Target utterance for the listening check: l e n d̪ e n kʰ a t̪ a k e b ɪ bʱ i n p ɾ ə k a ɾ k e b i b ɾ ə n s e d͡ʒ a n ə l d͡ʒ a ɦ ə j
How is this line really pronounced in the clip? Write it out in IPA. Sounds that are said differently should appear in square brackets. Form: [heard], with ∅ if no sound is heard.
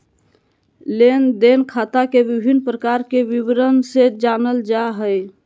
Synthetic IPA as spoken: l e n d̪ e n kʰ a t̪ a k e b [i] bʱ i n p ɾ ə k a ɾ k e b i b ɾ ə n s e d͡ʒ a n ə l d͡ʒ a ɦ ə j